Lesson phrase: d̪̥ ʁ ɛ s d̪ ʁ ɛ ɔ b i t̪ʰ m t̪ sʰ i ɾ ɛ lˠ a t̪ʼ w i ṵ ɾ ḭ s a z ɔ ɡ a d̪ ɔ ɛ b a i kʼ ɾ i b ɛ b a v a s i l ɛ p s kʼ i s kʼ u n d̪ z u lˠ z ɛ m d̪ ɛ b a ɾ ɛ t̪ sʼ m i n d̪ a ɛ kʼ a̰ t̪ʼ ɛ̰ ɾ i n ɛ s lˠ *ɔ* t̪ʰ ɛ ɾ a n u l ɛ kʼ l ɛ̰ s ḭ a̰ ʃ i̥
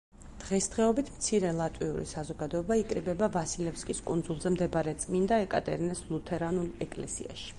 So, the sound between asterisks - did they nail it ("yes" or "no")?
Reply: no